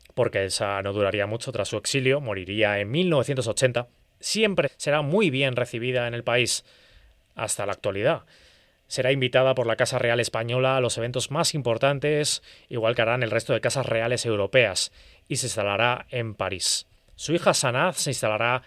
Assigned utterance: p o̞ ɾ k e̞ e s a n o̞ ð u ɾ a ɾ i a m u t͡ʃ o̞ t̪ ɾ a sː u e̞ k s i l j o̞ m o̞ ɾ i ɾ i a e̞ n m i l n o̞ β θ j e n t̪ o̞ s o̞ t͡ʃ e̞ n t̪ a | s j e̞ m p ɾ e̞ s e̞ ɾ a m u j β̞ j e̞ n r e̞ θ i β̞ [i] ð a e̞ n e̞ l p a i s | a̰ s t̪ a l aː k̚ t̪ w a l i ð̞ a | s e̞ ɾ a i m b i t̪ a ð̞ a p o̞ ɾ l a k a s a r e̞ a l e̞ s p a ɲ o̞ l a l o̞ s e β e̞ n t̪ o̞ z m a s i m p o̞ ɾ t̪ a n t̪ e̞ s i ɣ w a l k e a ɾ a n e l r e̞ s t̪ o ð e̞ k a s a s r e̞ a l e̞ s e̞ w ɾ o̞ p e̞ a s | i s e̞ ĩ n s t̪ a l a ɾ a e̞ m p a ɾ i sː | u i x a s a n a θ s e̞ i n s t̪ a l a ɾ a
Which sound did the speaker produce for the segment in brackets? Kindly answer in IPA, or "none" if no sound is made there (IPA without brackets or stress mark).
i